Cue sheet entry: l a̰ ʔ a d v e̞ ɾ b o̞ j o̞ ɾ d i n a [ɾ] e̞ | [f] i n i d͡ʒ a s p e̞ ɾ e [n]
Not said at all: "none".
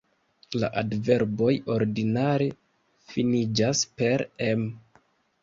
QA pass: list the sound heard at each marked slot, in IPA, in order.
ɾ, f, m

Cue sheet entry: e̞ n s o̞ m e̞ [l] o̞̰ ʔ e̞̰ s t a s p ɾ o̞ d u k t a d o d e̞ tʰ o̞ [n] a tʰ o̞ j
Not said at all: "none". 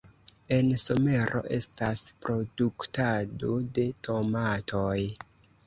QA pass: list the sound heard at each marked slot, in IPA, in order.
ɾ, m

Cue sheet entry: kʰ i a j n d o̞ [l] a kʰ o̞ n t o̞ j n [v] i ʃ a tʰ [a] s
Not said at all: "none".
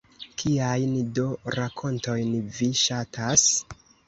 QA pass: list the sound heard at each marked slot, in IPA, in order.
ɾ, v, a

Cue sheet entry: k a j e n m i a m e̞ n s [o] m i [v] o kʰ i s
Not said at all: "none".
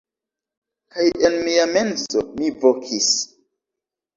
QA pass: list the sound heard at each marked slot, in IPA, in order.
o, v

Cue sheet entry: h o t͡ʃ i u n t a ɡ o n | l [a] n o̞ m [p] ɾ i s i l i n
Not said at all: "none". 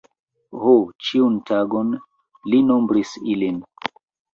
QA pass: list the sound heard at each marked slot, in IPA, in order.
i, b

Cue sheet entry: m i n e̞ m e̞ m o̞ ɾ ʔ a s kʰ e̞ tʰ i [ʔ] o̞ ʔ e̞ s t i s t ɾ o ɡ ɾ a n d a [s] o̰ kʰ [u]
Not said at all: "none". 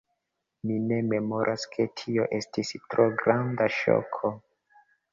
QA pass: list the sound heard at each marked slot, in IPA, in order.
none, ʃ, o

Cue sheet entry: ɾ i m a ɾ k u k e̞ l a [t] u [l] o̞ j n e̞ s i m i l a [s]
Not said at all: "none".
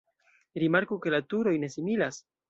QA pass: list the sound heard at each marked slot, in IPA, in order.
t, ɾ, s

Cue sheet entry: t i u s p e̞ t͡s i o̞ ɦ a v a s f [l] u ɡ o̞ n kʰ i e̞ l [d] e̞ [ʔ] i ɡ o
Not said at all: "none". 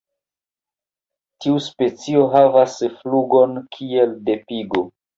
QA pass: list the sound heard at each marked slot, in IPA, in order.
l, d, p

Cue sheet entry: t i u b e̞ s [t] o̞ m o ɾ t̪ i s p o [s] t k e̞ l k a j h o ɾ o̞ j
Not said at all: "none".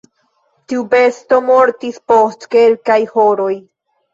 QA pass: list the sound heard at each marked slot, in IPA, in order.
t, s

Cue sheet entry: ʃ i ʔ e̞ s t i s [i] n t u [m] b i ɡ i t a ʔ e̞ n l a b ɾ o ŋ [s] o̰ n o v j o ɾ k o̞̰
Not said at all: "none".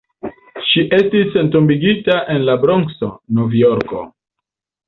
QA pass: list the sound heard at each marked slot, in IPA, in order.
e, m, s

